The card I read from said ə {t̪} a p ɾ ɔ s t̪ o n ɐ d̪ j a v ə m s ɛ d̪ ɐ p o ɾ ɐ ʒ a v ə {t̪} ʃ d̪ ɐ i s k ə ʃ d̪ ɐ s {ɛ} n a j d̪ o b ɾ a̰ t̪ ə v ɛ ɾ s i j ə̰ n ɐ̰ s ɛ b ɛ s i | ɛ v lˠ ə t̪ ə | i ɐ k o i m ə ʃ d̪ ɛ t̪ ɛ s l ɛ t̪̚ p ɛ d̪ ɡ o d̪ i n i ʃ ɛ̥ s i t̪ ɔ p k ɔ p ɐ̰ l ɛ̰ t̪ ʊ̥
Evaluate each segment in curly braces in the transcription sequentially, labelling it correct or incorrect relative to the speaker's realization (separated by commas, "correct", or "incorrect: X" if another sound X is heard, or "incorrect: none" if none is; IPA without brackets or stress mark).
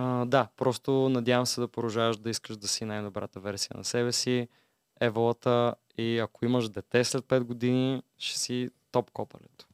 incorrect: d̪, incorrect: none, incorrect: i